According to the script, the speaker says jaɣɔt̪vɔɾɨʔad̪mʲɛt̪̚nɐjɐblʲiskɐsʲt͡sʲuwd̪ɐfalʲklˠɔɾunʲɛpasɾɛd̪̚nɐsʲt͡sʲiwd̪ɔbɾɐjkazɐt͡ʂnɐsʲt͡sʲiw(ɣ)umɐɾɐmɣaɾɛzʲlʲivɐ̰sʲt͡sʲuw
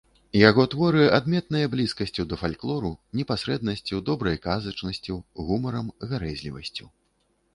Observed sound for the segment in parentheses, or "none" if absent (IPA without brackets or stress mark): ɣ